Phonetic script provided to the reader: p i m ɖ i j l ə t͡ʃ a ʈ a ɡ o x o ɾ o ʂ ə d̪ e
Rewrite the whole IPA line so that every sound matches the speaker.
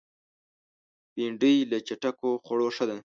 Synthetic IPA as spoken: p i ɳ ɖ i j l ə t͡ʃ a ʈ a k o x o ɽ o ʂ ə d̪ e

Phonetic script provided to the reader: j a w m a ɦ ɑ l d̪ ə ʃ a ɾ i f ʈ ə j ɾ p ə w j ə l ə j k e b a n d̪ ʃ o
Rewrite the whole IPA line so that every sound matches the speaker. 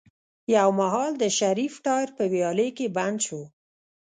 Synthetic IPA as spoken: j a w m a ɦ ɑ l d̪ ə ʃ a ɾ i f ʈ ɑ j ɾ p ə w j ɑ l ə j k e b a n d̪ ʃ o

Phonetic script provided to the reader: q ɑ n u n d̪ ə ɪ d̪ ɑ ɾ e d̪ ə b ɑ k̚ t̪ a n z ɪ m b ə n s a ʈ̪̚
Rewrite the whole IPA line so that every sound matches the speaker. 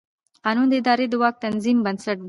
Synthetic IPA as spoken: q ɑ n u n d̪ ə ɪ d̪ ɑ ɾ e d̪ ə w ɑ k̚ t̪ a n z i m b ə n s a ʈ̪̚

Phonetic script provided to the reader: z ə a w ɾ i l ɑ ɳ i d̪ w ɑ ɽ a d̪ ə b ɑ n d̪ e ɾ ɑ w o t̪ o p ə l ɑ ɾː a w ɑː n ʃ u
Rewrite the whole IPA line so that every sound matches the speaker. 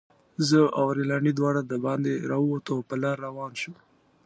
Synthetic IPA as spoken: z ə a w ɾ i l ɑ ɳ i d̪ w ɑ ɽ a d̪ ə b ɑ n d̪ e ɾ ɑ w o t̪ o p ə l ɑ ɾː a w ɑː n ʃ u

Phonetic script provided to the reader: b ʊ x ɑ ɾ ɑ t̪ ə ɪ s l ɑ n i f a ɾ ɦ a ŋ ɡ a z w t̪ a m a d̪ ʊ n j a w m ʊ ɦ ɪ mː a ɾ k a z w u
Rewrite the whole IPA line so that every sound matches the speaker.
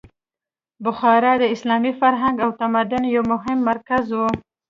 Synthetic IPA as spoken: b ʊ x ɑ ɾ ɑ d̪ ə ɪ s l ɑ m i f a ɾ ɦ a ŋ ɡ a w t̪ a m a d̪ ʊ n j a w m ʊ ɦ ɪ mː a ɾ k a z w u

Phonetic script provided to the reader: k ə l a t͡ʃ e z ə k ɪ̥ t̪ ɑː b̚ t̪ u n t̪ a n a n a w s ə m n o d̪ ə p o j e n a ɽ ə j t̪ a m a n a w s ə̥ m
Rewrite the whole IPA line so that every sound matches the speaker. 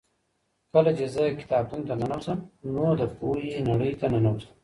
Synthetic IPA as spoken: k ə l a t͡ʃ e z ə k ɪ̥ t̪ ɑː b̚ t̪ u n t̪ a n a n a w s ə m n o d̪ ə p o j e n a ɽ ə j t̪ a n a n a w s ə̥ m

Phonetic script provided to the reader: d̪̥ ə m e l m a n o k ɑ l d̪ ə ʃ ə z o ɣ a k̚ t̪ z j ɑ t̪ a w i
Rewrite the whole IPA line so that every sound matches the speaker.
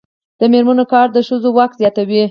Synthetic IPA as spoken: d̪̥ ə m e ɾ m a n o k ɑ ɾ d̪ ə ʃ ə z o w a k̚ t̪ z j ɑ t̪ a w i

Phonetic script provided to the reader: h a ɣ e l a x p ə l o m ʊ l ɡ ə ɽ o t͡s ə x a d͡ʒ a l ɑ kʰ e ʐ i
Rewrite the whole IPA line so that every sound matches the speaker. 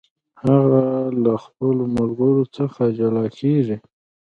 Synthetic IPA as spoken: h a ɣ a l a x p ə l o m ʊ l ɡ ə ɾ o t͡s ə x a d͡ʒ a l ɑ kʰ e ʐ i

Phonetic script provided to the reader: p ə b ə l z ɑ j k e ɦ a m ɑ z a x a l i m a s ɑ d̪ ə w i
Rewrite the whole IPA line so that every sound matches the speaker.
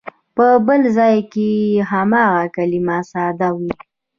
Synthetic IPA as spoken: p ə b ə l z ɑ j k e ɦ a m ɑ ɣ a k a l i m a s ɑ d̪ a w i

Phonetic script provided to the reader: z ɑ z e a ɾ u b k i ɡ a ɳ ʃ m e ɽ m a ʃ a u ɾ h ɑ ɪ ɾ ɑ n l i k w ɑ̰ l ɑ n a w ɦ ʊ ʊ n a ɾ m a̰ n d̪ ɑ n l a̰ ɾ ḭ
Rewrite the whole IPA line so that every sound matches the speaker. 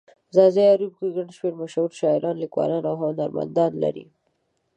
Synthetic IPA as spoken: z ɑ z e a ɾ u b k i ɡ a ɳ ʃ m e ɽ m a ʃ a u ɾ ʃ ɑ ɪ ɾ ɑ n l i k w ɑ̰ l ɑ n a w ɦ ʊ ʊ n a ɾ m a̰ n d̪ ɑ n l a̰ ɾ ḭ

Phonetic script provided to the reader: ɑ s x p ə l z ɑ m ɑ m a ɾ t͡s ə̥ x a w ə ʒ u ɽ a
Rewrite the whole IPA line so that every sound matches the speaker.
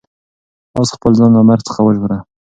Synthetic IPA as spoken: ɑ s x p ə l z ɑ n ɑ m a ɾ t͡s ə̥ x a w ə ʒ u ɾ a

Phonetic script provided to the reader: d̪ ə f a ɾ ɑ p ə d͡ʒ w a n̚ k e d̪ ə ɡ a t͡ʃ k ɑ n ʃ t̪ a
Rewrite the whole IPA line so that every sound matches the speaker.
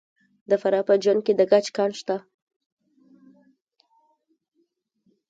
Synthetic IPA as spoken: d̪ ə f a ɾ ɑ p ə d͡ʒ w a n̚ k e d̪ ə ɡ a t͡ʃ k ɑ n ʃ t̪ a

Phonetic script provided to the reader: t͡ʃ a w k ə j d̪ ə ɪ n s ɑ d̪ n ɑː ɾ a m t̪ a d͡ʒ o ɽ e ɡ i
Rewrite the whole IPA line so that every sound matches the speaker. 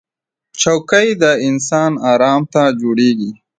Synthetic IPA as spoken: t͡ʃ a w k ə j d̪ ə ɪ n s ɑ n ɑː ɾ ɑ m t̪ a d͡ʒ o ɽ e ɡ i

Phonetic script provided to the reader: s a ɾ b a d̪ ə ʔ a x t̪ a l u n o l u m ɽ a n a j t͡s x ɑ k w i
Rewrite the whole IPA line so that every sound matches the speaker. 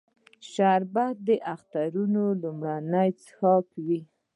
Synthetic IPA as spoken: ʃ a ɾ b a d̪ ə ʔ a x t̪ a ɾ u n o l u m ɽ a n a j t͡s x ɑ k w i

